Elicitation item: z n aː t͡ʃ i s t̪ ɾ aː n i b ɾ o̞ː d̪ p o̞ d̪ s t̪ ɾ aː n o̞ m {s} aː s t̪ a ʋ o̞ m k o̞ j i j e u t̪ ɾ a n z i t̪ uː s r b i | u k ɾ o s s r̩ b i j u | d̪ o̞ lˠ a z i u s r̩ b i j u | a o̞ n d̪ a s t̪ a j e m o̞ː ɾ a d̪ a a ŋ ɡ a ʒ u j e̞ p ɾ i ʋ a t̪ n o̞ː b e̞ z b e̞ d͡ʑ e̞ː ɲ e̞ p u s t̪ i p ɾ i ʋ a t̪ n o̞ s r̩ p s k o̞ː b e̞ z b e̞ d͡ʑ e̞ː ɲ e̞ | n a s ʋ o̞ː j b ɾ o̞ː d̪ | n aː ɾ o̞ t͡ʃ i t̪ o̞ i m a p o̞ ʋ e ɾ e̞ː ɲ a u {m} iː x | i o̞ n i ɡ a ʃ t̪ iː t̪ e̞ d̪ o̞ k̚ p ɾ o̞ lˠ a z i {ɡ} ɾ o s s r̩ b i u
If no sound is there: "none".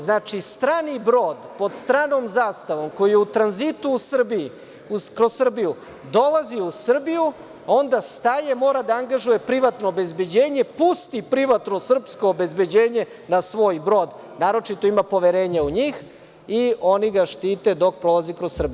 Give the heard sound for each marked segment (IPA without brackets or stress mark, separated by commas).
z, ɲ, k